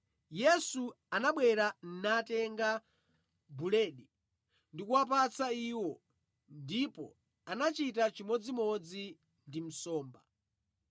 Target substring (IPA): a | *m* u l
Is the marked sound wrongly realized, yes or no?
yes